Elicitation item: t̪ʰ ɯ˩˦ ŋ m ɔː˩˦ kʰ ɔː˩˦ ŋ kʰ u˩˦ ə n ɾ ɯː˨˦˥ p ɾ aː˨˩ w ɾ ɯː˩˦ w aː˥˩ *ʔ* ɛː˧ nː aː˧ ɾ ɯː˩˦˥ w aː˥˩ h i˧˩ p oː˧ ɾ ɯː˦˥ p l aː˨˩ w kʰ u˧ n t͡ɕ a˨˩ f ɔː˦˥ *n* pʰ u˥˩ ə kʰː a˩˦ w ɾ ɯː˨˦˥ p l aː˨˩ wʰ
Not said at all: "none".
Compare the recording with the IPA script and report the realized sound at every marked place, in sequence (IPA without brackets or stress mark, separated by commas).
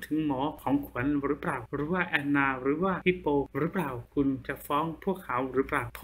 ʔ, ŋ